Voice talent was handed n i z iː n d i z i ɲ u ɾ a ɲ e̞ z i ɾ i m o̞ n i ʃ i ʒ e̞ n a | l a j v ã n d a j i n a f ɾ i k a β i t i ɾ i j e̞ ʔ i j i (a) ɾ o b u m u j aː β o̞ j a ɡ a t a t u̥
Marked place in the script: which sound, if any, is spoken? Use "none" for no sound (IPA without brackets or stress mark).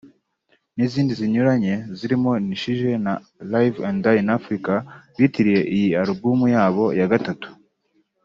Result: a